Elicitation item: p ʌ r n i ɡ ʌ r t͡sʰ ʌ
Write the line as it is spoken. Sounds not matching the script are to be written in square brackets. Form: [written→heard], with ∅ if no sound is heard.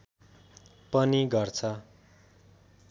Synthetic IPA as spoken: p ʌ [r→∅] n i ɡ ʌ r t͡sʰ ʌ